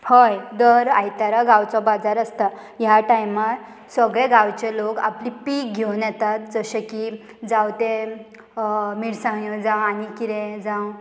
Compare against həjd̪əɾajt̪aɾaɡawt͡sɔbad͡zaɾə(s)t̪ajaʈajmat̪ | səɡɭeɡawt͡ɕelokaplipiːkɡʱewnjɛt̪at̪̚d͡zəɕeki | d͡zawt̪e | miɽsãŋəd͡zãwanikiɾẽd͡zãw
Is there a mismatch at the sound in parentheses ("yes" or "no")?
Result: no